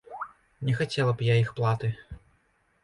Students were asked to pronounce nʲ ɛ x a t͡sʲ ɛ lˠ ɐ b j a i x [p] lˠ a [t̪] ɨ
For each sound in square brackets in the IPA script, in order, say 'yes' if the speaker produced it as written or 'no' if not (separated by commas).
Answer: yes, yes